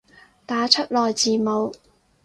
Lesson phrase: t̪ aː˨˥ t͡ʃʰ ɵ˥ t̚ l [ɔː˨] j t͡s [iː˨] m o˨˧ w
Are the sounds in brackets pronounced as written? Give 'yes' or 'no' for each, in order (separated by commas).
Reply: yes, yes